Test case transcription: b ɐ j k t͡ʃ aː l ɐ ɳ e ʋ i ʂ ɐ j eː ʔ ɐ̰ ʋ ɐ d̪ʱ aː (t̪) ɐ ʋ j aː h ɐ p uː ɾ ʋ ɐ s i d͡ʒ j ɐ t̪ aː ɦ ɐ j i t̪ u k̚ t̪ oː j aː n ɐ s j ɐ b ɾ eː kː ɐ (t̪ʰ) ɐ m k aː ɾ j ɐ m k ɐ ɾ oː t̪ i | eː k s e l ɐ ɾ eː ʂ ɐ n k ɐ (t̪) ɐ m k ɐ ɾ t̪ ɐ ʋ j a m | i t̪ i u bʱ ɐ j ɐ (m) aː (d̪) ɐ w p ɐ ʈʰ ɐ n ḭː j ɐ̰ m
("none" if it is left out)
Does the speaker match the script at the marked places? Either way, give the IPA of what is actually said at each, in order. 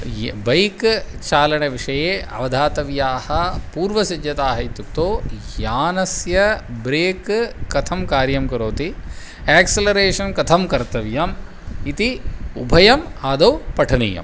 t̪, t̪ʰ, t̪ʰ, m, d̪

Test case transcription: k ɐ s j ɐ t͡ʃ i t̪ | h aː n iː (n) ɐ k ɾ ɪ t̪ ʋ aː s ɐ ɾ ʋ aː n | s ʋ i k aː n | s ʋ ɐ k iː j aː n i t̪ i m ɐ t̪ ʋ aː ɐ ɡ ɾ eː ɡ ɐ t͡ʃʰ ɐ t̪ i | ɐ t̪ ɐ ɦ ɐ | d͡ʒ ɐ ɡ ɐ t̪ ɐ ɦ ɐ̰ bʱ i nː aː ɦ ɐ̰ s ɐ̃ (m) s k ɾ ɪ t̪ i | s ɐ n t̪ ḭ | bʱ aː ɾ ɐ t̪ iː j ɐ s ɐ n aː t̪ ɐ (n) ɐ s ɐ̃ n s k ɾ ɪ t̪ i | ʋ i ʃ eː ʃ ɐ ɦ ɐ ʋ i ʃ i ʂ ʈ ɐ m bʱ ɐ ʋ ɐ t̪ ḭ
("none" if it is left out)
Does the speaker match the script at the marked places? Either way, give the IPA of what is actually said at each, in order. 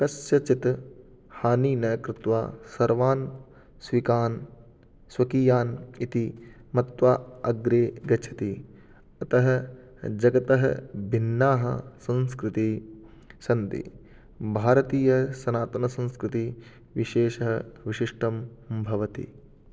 n, n, n

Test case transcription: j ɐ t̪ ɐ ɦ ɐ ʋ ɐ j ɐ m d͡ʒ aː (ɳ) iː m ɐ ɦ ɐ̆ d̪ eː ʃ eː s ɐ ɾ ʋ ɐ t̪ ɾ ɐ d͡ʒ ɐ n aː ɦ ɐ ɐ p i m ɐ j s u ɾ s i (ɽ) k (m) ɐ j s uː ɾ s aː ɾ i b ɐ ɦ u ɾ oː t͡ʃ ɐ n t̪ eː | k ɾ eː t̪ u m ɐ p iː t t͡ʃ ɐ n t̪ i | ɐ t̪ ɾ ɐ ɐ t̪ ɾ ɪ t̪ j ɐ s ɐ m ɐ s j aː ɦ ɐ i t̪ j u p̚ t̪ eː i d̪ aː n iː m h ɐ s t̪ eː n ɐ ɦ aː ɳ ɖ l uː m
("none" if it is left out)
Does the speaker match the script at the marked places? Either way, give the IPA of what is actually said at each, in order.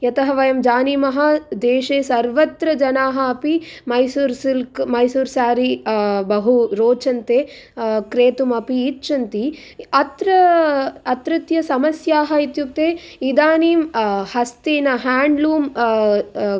n, l, m

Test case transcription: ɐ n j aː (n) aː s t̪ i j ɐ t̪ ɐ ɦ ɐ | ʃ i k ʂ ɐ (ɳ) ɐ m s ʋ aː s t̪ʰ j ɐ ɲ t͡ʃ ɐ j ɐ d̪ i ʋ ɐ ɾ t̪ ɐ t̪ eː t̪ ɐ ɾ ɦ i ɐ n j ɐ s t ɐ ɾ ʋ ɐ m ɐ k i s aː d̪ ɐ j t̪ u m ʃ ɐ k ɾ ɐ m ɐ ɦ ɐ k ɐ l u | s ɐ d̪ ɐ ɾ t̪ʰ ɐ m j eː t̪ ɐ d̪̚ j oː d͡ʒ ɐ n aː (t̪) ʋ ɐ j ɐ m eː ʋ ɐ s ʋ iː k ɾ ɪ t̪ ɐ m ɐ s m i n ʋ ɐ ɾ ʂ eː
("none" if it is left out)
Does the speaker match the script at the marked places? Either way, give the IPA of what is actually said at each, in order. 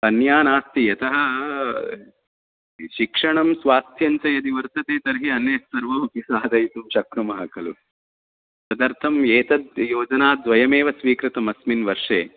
n, ɳ, d̪

